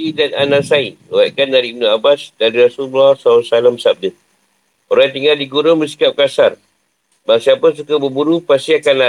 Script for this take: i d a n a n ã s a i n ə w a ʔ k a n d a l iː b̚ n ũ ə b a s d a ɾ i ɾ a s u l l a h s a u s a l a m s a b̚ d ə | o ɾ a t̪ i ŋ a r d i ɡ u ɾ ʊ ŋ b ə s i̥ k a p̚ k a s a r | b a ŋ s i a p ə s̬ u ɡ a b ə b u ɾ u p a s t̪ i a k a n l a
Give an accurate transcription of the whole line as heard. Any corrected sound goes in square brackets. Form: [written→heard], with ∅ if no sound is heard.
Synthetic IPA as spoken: i d a n a n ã s a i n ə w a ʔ k a n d a [l→ɾ] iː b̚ n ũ [ə→a] b a s d a ɾ i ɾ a s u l l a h s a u s a l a m s a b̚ d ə | o ɾ a t̪ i ŋ a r d i ɡ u ɾ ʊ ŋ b ə s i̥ k a p̚ k a s a r | b a ŋ s i a p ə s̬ u [ɡ→k] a b ə b u ɾ u p a s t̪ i a k a n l a